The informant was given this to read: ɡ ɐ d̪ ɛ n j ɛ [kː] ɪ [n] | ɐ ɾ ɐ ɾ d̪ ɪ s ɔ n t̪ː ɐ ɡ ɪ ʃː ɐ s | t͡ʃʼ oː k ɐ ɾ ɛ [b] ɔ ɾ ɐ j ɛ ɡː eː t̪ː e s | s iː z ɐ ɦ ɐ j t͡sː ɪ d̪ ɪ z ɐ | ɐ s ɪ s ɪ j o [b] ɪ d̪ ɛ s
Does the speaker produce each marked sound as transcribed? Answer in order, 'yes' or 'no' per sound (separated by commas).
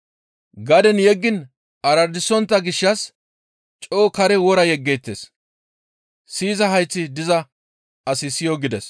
no, yes, no, no